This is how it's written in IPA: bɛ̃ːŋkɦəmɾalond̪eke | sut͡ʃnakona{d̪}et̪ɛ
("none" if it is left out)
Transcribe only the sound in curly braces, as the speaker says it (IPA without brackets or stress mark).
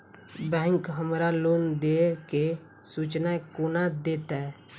d̪